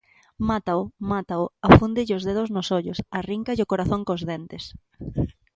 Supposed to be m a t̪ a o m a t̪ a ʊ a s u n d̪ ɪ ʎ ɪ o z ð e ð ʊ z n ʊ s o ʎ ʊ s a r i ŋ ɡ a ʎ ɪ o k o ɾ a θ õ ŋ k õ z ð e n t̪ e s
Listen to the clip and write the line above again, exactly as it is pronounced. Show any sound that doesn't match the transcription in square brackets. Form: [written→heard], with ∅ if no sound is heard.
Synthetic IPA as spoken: m a t̪ a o m a t̪ a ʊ a [s→f] u n d̪ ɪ ʎ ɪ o z ð e ð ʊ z n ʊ s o ʎ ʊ s a r i ŋ [ɡ→k] a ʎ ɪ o k o ɾ a θ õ ŋ k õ z ð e n t̪ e s